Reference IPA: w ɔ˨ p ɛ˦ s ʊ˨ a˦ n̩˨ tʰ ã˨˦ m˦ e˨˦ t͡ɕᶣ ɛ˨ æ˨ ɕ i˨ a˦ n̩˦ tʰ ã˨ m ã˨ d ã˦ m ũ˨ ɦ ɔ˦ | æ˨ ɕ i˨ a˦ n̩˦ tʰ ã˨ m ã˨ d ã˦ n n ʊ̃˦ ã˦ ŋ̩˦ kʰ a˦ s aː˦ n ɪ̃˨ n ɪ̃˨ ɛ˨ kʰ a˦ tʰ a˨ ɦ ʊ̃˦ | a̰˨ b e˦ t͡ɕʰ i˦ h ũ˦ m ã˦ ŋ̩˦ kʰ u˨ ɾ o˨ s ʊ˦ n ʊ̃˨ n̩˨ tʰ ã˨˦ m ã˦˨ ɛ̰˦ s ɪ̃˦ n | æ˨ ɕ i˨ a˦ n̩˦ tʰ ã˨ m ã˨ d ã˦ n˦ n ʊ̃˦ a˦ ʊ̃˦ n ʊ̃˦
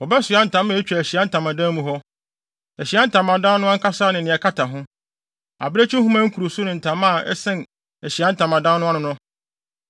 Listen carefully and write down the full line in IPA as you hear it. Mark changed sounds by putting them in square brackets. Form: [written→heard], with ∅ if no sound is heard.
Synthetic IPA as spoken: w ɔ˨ [p→b] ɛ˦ s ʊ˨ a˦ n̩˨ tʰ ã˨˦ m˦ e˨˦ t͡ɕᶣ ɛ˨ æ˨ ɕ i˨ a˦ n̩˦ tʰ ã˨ m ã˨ d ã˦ m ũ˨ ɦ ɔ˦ | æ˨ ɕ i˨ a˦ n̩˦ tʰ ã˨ m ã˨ d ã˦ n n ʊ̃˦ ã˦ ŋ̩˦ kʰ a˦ s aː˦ n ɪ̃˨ n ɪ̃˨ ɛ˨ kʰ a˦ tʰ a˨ ɦ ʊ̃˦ | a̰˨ b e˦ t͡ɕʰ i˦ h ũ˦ m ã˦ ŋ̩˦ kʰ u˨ ɾ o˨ s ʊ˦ n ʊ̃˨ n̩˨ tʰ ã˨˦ m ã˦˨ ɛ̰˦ s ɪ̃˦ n | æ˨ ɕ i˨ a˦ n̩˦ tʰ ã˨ m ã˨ d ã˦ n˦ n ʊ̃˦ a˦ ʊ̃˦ n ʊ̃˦

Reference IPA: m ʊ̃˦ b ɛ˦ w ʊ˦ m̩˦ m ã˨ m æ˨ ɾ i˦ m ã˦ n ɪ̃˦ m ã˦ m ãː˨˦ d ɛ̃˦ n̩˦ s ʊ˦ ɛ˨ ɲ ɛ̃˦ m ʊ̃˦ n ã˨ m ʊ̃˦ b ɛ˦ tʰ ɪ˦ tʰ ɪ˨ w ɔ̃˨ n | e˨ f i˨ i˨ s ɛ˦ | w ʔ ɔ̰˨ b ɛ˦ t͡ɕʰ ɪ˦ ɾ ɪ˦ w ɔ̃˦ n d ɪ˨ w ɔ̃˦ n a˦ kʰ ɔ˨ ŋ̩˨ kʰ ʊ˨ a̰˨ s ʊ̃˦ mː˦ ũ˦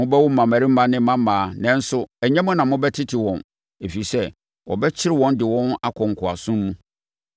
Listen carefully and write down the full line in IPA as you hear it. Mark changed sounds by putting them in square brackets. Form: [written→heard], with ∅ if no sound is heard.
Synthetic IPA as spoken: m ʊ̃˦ b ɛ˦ w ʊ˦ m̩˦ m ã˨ m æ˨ ɾ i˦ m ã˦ n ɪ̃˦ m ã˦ m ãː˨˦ [d→n] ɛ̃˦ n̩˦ s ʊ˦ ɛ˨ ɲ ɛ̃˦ m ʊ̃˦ n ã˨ m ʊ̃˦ b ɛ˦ tʰ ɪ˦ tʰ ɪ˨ w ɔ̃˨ n | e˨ f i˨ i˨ s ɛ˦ | w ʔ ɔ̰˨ b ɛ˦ t͡ɕʰ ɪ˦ ɾ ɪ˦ w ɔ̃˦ n d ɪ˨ w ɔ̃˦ n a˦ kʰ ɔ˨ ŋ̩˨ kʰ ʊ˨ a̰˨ s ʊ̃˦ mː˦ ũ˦

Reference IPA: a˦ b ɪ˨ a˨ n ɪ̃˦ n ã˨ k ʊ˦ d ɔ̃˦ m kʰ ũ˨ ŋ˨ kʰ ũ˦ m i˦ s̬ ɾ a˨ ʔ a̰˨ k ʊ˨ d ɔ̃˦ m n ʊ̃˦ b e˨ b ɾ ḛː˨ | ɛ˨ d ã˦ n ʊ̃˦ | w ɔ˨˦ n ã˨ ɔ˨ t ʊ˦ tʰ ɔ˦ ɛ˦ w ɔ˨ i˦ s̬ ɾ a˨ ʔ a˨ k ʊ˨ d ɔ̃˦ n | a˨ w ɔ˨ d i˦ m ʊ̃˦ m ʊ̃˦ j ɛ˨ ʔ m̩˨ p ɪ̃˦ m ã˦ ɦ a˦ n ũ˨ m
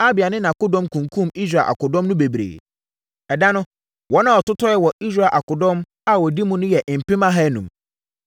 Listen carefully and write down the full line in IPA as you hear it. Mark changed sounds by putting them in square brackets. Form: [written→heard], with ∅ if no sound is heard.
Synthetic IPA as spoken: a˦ b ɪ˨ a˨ n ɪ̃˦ n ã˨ k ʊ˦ d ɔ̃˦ m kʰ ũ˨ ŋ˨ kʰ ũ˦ m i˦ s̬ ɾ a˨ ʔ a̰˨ k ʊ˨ d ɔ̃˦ m n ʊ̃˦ b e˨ b ɾ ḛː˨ | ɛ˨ d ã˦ n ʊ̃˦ | w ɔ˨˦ n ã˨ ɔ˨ t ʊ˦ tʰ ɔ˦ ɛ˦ w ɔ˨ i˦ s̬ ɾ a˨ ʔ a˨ k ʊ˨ d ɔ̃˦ [n→m] | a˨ w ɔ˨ d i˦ m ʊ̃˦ [m→n] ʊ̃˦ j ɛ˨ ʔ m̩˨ p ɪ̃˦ m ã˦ ɦ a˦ n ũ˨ m

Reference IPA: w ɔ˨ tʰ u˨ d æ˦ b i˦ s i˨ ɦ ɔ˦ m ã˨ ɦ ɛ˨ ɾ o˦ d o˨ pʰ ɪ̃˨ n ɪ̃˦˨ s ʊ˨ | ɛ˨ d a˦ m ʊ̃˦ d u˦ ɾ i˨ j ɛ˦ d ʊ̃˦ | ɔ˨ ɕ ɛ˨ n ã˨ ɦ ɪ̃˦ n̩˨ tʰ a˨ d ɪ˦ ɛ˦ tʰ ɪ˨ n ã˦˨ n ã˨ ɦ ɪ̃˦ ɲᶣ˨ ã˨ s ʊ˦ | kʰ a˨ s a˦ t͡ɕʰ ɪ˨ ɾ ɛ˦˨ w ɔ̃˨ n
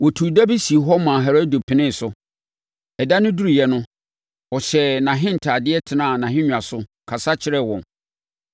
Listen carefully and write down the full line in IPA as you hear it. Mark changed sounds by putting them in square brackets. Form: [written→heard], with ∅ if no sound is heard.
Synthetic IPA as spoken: w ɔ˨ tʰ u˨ d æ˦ b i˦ s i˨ ɦ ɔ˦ m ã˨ ɦ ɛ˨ ɾ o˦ d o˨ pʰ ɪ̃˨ n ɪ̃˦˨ s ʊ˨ | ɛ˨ d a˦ [m→n] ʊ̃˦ d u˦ ɾ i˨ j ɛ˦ [d→n] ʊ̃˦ | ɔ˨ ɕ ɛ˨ n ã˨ ɦ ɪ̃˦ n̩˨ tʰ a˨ d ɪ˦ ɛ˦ tʰ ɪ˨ n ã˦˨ n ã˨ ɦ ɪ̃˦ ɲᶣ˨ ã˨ s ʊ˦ | kʰ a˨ s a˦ t͡ɕʰ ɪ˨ ɾ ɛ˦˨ w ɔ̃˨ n

